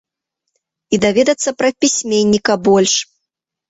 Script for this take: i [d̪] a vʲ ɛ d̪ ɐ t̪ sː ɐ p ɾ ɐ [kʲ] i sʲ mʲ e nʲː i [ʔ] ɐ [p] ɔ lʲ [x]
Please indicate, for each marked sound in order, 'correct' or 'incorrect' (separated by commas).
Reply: correct, incorrect, incorrect, incorrect, incorrect